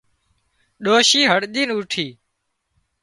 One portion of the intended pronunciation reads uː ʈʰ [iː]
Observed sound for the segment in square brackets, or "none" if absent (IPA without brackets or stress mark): iː